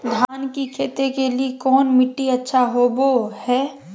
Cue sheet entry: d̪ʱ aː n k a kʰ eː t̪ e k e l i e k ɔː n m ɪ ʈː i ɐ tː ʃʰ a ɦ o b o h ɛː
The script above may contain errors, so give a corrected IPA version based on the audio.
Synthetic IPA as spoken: d̪ʱ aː n k i kʰ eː t̪ e k e l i e k ɔː n m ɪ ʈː i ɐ tː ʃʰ a ɦ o b o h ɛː